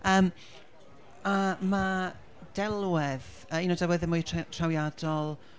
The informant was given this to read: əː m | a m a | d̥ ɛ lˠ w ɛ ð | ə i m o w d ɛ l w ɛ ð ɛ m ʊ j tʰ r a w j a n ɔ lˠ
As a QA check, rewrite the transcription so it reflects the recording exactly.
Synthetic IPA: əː m | a m a | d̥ ɛ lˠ w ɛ ð | ə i n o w d ɛ l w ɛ ð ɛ m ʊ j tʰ r a w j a d ɔ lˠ